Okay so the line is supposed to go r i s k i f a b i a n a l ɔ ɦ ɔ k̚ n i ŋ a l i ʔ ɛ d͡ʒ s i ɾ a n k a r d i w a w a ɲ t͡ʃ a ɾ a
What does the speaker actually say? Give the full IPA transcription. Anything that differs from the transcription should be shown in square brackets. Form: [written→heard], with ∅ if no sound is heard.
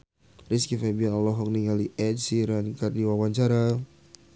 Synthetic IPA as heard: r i s k i f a b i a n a l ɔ ɦ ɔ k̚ n i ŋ a l i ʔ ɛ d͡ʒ s i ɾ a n k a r d i w a w a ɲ t͡ʃ a ɾ a